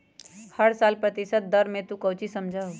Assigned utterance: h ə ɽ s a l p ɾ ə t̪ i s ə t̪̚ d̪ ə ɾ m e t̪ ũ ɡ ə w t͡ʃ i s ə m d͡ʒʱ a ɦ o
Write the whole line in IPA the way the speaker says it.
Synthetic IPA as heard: h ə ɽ s a l p ɾ ə t̪ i s ə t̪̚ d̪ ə ɾ m e t̪ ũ k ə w t͡ʃ i s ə m d͡ʒʱ a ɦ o